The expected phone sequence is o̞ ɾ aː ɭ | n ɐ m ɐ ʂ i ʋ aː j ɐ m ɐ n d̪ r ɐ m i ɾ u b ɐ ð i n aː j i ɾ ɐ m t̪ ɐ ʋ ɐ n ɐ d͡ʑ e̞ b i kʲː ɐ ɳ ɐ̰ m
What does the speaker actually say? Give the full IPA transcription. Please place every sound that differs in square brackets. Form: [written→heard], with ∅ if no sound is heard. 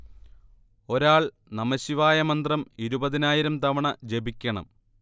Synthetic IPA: o̞ ɾ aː ɭ | n ɐ m ɐ [ʂ→ɕ] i ʋ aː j ɐ m ɐ n d̪ r ɐ m i ɾ u b ɐ ð i n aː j i ɾ ɐ m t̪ ɐ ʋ ɐ [n→ɳ] ɐ d͡ʑ e̞ b i kʲː ɐ ɳ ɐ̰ m